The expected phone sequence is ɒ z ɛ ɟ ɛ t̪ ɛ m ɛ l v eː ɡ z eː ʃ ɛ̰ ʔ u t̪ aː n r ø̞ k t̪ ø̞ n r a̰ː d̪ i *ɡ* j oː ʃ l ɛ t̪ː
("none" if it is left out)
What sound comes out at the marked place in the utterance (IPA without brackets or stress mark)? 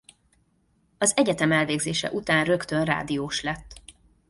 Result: none